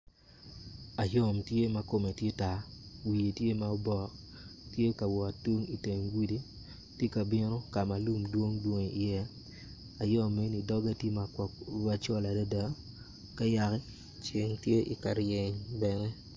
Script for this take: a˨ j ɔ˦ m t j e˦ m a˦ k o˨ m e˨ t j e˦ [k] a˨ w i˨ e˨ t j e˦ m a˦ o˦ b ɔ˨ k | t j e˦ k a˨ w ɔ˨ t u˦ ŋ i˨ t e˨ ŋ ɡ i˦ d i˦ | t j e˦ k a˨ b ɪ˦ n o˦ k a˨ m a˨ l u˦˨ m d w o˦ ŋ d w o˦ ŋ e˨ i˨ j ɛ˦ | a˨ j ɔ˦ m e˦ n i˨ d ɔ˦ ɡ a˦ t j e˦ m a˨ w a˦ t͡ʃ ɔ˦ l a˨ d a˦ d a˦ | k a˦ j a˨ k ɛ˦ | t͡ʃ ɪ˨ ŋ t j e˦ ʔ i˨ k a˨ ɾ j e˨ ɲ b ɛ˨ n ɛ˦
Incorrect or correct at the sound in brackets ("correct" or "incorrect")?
incorrect